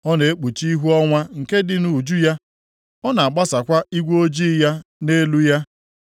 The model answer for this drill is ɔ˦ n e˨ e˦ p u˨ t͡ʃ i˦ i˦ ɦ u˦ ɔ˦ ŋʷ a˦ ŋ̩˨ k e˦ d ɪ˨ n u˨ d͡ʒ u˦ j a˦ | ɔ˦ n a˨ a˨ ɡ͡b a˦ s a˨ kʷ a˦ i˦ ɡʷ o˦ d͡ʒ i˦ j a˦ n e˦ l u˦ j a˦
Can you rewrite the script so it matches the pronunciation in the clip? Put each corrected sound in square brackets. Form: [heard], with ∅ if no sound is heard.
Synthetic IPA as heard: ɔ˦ n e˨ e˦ [k͡p] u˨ t͡ʃ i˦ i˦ ɦ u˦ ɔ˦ ŋʷ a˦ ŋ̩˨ k e˦ d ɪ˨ n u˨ d͡ʒ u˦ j a˦ | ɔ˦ n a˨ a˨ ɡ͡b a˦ s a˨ kʷ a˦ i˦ ɡʷ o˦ d͡ʒ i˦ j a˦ n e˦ l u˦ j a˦